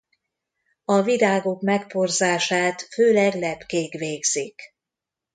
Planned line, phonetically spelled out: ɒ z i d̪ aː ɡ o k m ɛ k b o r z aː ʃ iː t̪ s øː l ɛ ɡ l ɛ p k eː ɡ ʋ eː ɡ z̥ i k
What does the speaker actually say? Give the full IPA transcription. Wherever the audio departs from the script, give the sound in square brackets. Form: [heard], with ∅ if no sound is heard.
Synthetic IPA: ɒ [v] i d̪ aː ɡ o k m ɛ k [p] o r z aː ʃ [aː] t̪ [f] øː l ɛ ɡ l ɛ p k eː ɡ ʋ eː ɡ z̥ i k